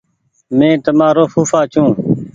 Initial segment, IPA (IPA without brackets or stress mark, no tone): m